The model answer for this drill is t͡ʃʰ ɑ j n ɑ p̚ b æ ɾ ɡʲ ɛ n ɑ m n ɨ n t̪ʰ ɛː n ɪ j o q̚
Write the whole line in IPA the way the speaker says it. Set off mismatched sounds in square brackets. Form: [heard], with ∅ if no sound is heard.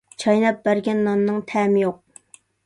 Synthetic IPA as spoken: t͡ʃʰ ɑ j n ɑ p̚ b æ ɾ ɡʲ ɛ [nː] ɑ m n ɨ [ŋ] t̪ʰ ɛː [m] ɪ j o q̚

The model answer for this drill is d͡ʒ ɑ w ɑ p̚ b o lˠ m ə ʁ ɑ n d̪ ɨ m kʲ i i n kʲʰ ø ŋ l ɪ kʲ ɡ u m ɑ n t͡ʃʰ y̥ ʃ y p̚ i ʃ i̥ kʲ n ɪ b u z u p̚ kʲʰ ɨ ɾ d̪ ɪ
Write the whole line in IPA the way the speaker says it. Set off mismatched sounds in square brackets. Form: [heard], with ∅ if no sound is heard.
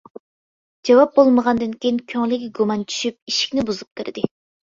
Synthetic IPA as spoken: d͡ʒ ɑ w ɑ p̚ b o lˠ m ə ʁ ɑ n d̪ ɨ [n] kʲ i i n kʲʰ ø ŋ l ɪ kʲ ɡ u m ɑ n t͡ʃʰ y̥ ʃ y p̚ i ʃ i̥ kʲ n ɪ b u z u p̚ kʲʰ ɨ ɾ d̪ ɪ

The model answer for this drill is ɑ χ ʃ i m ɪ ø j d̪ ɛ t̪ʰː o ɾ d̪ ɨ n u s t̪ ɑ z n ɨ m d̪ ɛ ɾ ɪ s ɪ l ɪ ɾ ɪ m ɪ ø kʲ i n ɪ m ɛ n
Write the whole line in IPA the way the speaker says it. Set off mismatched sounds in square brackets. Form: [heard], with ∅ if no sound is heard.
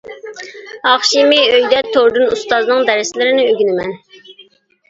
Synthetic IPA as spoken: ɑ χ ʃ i m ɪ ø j d̪ ɛ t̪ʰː o ɾ d̪ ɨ n u s t̪ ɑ z n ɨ [ŋ] d̪ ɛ ɾ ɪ s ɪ l ɪ ɾ ɪ [n] ɪ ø [ɡʲ] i n ɪ m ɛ n

